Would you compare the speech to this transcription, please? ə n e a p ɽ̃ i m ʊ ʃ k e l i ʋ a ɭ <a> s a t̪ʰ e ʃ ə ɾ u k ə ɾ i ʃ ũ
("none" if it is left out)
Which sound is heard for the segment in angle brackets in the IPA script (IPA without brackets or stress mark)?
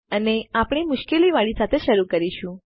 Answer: i